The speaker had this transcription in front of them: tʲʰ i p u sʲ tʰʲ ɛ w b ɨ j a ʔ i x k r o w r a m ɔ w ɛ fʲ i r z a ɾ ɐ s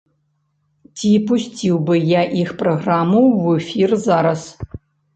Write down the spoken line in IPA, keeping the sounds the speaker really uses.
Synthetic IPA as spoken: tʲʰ i p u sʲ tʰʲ i w b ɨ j a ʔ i x p r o ɣ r a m u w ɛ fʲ i r z a ɾ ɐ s

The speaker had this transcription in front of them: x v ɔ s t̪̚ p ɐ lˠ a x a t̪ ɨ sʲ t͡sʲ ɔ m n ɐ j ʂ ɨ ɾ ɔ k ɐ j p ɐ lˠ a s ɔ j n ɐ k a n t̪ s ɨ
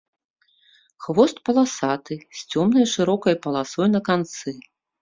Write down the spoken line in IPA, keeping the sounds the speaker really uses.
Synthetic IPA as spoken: x v ɔ s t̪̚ p ɐ lˠ a s a t̪ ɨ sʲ t͡sʲ ɔ m n ɐ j ʂ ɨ ɾ ɔ k ɐ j p ɐ lˠ a s ɔ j n ɐ k a n t̪ s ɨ

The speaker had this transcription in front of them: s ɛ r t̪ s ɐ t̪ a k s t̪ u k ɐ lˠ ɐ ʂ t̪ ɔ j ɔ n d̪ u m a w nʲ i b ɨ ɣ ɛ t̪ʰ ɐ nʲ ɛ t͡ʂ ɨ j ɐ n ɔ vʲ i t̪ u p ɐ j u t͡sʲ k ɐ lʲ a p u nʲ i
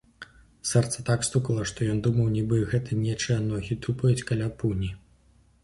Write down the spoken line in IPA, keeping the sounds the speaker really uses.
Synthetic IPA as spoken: s ɛ r t̪ s ɐ t̪ a k s t̪ u k ɐ lˠ ɐ ʂ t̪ ɔ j ɔ n d̪ u m ɐ w nʲ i b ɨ ɣ ɛ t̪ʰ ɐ nʲ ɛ t͡ʂ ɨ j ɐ n ɔ ɣʲ i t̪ u p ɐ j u t͡sʲ k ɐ lʲ a p u nʲ i

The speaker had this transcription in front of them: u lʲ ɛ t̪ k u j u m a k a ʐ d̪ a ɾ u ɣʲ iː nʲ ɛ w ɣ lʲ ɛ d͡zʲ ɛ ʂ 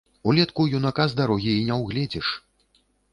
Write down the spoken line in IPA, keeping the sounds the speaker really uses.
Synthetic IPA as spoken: u lʲ ɛ t̪ k u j u n a k a z d̪ a ɾ ɔ ɣʲ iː nʲ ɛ w ɣ lʲ ɛ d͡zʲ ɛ ʂ

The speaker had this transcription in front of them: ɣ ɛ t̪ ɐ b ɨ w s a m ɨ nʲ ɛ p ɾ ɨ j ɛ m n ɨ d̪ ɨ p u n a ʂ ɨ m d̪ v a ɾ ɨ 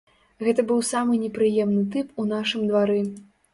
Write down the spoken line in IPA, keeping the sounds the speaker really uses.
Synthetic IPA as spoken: ɣ ɛ t̪ ɐ b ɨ w s a m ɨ nʲ ɛ p ɾ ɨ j ɛ m n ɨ t̪ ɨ p u n a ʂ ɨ m d̪ v a ɾ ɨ

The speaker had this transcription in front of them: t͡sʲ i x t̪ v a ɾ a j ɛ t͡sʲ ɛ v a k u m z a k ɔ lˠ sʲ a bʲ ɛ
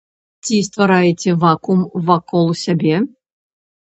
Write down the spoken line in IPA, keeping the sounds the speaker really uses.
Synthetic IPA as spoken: t͡sʲ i s t̪ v a ɾ a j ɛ t͡sʲ ɛ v a k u m v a k ɔ lˠ sʲ a bʲ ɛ

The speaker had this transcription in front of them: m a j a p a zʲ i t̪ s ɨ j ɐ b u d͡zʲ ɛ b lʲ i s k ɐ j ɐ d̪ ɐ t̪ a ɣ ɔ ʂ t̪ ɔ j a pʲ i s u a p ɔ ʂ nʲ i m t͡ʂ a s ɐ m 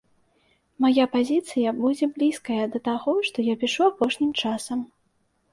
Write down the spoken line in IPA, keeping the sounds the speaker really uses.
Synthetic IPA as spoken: m a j a p a zʲ i t̪ s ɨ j ɐ b u d͡zʲ ɛ b lʲ i s k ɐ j ɐ d̪ ɐ t̪ a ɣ ɔ ʂ t̪ ɔ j a pʲ i ʂ u a p ɔ ʂ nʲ i m t͡ʂ a s ɐ m

